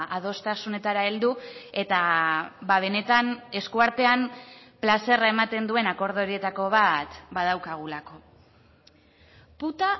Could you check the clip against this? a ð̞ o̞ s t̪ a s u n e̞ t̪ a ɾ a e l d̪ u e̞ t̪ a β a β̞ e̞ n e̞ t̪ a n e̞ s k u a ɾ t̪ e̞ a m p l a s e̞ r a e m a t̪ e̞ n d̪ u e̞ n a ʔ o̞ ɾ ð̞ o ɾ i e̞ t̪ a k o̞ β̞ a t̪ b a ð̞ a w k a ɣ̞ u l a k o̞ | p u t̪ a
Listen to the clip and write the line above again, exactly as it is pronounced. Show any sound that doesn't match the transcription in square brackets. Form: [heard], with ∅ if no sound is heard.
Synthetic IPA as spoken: a ð̞ o̞ s t̪ a s u n e̞ t̪ a ɾ a e l d̪ u e̞ t̪ a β a β̞ e̞ n e̞ t̪ a n e̞ s k u a ɾ t̪ e̞ a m p l a s e̞ r a e m a t̪ e̞ n d̪ u e̞ n a [k] o̞ ɾ ð̞ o ɾ i e̞ t̪ a k o̞ β̞ a t̪ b a ð̞ a w k a ɣ̞ u l a k o̞ | p u t̪ a